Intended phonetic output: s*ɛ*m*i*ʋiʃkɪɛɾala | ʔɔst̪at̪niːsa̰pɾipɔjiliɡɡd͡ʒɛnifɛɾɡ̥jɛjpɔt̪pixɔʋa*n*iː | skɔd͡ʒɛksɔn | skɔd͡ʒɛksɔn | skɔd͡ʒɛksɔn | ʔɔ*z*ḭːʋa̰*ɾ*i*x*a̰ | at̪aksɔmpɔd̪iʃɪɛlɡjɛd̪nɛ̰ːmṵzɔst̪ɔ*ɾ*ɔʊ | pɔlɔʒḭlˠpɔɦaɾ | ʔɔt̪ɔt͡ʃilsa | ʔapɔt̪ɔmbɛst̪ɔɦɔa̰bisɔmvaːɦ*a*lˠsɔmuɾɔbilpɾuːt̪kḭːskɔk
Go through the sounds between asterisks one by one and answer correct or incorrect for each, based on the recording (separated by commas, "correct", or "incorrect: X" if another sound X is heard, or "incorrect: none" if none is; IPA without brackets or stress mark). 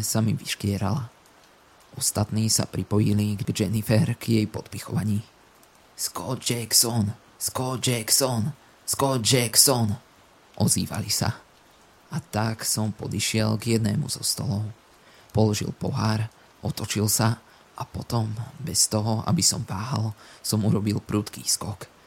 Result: incorrect: a, correct, incorrect: ɲ, correct, incorrect: l, incorrect: s, incorrect: l, correct